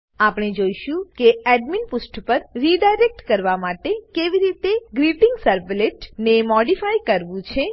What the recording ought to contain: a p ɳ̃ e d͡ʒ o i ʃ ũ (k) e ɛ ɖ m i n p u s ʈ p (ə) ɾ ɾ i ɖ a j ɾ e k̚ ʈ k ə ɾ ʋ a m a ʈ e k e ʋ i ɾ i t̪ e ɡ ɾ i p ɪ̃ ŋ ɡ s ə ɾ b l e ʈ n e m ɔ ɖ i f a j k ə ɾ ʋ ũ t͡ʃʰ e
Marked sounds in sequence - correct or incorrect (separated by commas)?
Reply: correct, correct